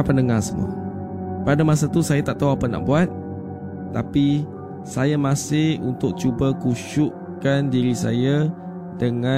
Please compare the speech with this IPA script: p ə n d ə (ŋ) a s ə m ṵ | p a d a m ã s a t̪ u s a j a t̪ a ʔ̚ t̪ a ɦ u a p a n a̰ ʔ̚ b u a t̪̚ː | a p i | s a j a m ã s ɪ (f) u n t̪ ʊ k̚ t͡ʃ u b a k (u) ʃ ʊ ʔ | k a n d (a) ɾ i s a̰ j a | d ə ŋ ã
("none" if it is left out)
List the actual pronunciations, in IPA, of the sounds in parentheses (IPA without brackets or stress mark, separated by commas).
ŋ, h, u, i